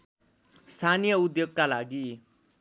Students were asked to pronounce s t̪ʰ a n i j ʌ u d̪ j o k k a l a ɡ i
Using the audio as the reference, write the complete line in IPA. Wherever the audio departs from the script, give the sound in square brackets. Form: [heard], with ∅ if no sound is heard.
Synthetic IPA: s t̪ʰ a n i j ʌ u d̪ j o [ɡ] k a l a ɡ i